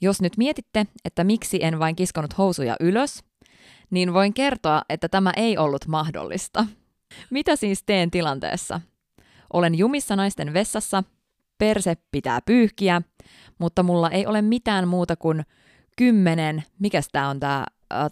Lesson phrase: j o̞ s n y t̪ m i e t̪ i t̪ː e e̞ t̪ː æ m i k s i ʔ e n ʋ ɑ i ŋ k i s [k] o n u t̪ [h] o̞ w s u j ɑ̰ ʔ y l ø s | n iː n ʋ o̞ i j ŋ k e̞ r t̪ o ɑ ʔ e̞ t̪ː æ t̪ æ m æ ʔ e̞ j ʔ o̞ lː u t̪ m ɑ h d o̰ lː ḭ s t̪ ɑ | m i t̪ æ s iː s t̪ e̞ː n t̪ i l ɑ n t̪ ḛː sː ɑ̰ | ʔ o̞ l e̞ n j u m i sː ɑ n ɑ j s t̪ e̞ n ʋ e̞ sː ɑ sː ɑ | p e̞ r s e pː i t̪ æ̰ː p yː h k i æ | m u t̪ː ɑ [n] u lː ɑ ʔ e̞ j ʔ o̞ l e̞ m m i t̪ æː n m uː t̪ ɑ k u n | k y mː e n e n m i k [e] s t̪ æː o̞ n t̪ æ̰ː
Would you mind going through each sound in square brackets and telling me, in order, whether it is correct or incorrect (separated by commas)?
correct, correct, incorrect, incorrect